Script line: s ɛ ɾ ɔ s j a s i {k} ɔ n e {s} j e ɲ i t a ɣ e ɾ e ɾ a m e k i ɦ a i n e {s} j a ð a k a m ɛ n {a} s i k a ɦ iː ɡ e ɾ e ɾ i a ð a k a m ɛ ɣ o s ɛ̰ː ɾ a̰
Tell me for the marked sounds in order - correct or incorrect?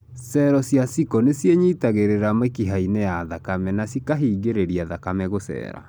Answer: correct, correct, incorrect, correct

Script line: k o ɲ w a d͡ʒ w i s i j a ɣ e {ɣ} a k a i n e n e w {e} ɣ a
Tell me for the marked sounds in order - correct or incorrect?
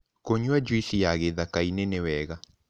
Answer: incorrect, incorrect

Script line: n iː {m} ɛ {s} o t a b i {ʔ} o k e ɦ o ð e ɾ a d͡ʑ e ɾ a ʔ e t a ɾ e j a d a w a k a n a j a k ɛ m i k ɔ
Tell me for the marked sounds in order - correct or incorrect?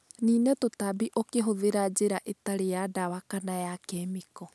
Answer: incorrect, incorrect, correct

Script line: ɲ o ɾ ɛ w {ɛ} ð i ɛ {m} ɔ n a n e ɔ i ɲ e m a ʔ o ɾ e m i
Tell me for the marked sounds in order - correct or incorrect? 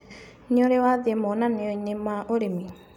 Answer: incorrect, correct

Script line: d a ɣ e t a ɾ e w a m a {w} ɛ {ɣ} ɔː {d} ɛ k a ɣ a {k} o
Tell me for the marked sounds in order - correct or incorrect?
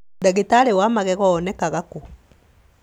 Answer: incorrect, correct, incorrect, correct

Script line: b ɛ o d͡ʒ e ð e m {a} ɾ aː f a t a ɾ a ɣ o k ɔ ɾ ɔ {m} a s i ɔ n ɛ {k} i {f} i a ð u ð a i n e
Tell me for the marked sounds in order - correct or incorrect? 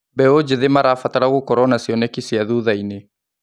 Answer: correct, incorrect, correct, incorrect

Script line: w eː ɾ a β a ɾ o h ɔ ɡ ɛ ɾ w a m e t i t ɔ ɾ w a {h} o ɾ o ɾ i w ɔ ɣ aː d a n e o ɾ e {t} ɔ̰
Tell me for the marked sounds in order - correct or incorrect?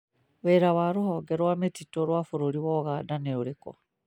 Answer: incorrect, incorrect

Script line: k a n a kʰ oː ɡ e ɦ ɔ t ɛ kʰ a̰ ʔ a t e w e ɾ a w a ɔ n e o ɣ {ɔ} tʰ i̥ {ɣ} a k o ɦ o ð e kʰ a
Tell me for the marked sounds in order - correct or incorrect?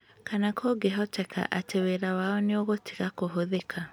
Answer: incorrect, correct

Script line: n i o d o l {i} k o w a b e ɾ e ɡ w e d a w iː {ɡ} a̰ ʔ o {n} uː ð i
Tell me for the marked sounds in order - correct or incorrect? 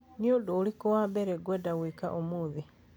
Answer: correct, incorrect, incorrect

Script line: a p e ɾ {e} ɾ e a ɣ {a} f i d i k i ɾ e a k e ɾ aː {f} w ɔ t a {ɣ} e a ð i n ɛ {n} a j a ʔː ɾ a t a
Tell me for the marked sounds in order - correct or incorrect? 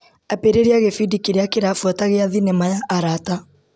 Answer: correct, incorrect, correct, correct, incorrect

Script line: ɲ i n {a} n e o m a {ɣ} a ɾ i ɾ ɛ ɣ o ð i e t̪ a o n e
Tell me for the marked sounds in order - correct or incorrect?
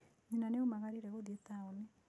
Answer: correct, correct

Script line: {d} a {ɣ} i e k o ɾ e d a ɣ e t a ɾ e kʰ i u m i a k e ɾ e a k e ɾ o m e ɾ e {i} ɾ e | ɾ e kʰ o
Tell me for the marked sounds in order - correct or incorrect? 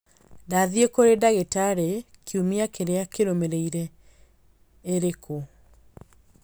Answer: correct, incorrect, correct

